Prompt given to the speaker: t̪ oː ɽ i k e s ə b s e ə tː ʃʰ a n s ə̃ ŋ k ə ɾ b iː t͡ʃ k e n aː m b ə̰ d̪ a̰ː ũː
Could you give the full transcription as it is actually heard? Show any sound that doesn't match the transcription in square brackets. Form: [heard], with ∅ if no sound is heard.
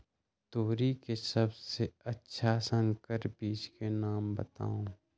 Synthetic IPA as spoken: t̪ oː [ɾ] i k e s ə b s e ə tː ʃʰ a [∅] s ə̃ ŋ k ə ɾ b iː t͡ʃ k e n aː m b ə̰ [t̪] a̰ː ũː

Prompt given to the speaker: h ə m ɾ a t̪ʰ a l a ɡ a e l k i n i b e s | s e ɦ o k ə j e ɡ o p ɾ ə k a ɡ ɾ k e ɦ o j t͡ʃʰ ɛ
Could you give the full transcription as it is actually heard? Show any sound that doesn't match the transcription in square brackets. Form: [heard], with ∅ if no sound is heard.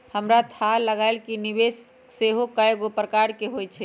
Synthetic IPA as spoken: h ə m ɾ a t̪ʰ a l [ə] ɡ a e l k i n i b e s | s e ɦ o k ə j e ɡ o p ɾ ə k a [∅] ɾ k e ɦ o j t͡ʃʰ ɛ

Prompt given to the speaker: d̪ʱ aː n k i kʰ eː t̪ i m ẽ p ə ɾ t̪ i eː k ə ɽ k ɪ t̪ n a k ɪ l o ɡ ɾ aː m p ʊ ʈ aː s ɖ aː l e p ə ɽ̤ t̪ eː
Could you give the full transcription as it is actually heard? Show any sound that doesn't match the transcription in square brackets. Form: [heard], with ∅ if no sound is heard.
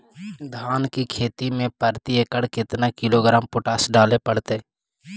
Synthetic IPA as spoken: d̪ʱ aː n k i kʰ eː t̪ i m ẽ p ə ɾ t̪ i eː k ə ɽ k ɪ t̪ n a k ɪ l o ɡ ɾ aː m p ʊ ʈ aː s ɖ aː l e p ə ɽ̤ t̪ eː

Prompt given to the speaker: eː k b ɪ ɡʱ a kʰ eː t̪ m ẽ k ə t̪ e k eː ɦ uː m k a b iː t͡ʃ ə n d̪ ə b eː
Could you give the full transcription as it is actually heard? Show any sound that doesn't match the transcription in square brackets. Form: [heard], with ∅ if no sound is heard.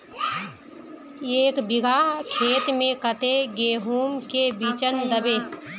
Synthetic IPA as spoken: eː k b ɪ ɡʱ a kʰ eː t̪ m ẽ k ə t̪ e [ɡ] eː ɦ uː m k [e] b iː t͡ʃ ə n d̪ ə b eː

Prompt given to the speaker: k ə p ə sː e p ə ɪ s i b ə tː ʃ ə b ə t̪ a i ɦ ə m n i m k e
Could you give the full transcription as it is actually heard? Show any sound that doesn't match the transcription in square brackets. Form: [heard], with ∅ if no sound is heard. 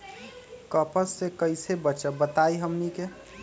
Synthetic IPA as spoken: k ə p ə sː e [k] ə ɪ s [e] b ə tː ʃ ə b ə t̪ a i ɦ ə m n i [∅] k e

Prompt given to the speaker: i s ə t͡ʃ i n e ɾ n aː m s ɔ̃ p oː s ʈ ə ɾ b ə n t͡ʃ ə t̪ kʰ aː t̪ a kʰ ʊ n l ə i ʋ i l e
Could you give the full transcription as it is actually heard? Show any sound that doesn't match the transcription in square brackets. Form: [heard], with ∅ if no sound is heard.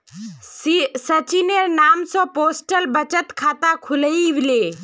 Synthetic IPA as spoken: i s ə t͡ʃ i n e ɾ n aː m s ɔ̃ p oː s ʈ ə [l] b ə [∅] t͡ʃ ə t̪ kʰ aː t̪ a kʰ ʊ [∅] l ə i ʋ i l e

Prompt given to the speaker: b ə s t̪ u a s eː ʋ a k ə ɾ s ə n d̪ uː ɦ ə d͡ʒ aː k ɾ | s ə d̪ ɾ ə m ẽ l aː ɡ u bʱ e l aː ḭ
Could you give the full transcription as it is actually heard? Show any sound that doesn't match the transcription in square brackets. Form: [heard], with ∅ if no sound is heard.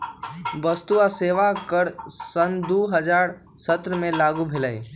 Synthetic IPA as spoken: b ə s t̪ u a s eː ʋ a k ə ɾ s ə n d̪ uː ɦ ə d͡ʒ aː [∅] ɾ | s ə [t̪] ɾ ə m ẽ l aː ɡ u bʱ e l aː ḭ

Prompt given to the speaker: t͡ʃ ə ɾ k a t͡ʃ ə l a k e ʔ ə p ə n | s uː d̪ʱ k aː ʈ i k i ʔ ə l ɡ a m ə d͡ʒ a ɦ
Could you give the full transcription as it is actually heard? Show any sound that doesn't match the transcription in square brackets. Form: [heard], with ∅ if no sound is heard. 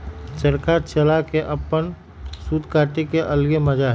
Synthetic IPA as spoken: t͡ʃ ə ɾ k a t͡ʃ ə l a k e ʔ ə p ə n | s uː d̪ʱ k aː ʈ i k [e] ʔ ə l ɡ [e] m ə d͡ʒ a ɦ

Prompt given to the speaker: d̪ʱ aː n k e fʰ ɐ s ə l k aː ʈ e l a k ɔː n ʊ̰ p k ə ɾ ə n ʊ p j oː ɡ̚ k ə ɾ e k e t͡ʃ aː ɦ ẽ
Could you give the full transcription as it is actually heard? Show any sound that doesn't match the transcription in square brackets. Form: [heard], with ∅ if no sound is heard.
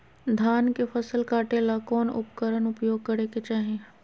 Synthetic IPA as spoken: d̪ʱ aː n k e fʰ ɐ s ə l k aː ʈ e l a k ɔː n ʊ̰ p k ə ɾ ə n ʊ p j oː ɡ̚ k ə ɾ e k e t͡ʃ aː ɦ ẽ

